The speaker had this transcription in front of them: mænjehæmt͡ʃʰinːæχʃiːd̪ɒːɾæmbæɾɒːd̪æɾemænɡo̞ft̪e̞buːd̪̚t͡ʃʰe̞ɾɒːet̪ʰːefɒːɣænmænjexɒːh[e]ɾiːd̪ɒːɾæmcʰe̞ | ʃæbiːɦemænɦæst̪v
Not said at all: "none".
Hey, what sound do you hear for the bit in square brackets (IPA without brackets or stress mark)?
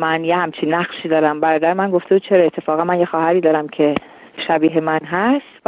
æ